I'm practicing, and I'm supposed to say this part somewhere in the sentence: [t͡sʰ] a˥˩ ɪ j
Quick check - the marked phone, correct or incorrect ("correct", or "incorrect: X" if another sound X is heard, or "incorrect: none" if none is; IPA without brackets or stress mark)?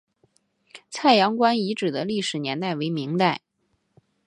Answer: correct